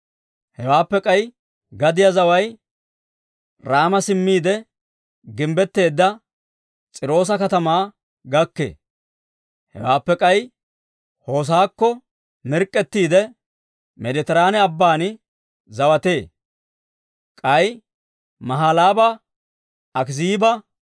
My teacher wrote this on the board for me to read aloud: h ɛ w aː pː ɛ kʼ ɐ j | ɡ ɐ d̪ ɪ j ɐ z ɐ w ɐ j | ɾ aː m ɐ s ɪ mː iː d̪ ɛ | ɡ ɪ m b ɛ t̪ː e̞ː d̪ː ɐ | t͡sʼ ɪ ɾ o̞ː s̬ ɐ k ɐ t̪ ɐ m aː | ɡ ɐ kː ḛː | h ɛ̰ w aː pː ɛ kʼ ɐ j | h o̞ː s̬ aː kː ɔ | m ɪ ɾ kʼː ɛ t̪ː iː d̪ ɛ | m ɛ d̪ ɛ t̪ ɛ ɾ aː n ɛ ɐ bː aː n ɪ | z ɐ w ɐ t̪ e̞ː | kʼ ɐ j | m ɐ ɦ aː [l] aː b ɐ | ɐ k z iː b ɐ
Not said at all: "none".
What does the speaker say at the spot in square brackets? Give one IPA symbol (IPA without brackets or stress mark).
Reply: l